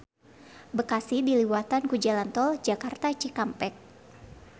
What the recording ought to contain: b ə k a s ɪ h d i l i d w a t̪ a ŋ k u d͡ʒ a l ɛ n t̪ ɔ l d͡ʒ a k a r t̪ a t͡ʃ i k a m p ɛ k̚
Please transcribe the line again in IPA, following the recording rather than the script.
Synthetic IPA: b ə k a s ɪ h d i l i w a t̪ a n k u d͡ʒ a l a n t̪ ɔ l d͡ʒ a k a r t̪ a t͡ʃ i k a m p ɛ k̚